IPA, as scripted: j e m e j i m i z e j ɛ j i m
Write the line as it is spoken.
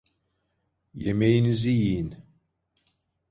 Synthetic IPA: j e m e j i n i z i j i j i n